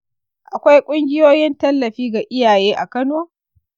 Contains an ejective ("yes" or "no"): yes